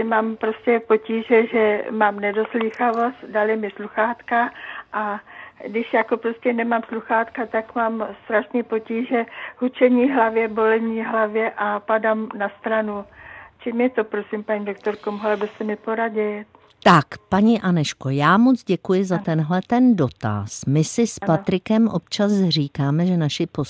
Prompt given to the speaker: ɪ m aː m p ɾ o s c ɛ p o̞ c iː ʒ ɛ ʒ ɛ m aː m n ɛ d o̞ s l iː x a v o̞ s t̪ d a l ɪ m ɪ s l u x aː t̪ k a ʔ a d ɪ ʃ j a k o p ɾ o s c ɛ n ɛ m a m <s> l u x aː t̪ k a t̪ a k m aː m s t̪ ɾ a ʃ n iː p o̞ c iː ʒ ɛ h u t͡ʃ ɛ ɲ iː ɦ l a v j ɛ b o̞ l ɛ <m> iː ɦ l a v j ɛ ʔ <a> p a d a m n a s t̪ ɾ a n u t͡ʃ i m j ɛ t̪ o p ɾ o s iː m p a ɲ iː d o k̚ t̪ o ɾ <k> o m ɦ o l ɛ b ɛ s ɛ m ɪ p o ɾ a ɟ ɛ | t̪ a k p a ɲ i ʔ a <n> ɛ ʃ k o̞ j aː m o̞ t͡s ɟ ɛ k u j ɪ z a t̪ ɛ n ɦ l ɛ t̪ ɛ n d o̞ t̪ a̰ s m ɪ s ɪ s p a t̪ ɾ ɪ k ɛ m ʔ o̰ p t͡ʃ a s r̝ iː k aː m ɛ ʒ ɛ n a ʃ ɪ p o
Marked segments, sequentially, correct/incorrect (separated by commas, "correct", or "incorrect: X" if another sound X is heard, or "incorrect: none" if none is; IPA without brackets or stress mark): correct, incorrect: ɲ, correct, correct, correct